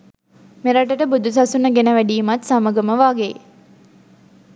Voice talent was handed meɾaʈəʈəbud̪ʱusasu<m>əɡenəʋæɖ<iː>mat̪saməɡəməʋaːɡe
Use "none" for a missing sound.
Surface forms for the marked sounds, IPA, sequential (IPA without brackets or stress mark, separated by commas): n, iː